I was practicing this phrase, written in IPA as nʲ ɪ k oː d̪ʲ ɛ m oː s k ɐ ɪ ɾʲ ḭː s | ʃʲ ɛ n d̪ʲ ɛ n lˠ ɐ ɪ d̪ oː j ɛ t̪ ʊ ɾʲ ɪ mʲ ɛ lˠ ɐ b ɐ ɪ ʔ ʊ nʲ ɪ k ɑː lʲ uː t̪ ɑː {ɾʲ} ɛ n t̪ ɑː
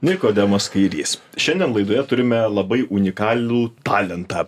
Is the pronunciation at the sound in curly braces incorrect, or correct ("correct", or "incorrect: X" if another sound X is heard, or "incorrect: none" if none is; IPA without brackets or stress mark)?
incorrect: lʲ